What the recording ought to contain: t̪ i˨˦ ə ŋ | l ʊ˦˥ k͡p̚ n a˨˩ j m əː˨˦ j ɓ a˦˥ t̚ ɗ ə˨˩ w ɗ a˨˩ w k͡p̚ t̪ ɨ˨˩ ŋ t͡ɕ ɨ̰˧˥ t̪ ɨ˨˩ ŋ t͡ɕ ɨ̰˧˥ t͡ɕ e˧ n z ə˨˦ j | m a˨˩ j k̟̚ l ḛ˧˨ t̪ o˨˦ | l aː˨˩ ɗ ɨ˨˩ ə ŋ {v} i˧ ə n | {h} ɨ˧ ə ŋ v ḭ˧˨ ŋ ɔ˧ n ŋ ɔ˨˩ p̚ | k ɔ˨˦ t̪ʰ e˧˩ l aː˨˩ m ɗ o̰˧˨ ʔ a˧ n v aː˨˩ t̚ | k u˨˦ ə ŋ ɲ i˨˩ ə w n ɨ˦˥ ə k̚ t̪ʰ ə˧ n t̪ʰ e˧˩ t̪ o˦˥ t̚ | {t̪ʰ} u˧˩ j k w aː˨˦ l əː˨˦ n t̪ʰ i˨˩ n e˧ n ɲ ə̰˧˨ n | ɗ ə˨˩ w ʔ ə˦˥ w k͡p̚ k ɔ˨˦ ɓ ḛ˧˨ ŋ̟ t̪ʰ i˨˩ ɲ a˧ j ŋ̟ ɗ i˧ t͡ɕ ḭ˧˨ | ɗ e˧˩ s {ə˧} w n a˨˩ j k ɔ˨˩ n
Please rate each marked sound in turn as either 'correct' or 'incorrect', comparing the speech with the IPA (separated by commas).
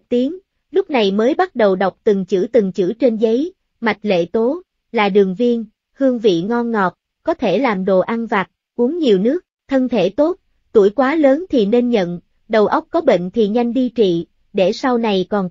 correct, correct, incorrect, incorrect